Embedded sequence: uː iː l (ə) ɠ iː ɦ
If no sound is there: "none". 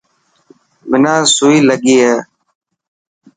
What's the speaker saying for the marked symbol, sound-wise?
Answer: ə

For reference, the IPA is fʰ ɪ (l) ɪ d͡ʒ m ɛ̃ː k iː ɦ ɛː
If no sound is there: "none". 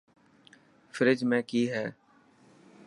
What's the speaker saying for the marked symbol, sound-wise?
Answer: ɾ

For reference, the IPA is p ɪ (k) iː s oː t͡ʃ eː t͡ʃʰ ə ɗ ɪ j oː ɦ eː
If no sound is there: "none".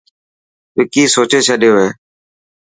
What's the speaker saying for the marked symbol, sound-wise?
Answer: k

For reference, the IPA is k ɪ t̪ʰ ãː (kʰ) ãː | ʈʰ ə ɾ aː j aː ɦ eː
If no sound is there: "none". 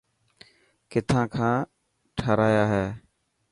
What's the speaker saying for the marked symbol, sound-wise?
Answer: kʰ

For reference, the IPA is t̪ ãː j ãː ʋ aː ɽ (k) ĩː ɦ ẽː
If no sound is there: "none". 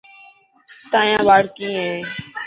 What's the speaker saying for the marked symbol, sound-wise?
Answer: k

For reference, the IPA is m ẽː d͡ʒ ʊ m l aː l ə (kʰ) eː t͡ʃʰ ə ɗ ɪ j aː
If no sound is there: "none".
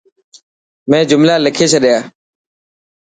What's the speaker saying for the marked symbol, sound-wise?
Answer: kʰ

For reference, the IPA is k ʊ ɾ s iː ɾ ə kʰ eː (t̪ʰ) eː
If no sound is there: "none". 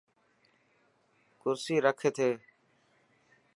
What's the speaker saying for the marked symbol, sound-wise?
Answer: t̪ʰ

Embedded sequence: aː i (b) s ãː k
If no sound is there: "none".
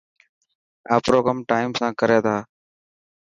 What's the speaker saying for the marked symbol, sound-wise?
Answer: m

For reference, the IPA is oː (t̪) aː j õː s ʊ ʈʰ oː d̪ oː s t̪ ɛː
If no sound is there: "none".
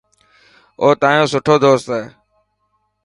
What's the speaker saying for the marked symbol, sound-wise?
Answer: t̪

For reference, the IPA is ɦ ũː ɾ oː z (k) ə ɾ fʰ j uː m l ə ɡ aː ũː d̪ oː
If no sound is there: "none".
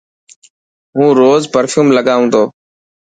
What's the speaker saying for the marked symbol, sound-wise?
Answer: p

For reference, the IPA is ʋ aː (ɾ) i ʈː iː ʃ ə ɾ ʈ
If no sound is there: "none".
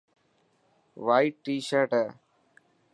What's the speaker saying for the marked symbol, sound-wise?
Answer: none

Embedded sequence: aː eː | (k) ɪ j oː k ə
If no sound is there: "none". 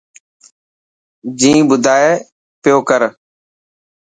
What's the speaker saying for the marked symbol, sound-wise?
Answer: p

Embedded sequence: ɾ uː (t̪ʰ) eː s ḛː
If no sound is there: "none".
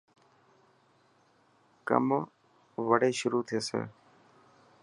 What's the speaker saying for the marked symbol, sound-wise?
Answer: t̪ʰ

